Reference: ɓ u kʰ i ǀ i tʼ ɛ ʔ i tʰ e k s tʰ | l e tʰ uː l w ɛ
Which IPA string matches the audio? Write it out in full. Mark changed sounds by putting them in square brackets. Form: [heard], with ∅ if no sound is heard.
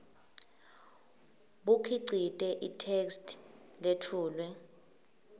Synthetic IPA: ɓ u kʰ i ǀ i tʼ ɛ ʔ i tʰ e k s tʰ | l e tʰ uː l w ɛ